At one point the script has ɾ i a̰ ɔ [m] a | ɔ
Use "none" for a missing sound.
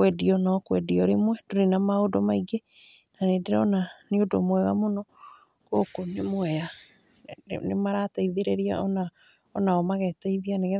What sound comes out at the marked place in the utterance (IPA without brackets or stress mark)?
n